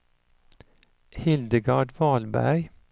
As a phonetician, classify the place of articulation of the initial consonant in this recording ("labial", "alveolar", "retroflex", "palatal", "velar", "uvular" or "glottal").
glottal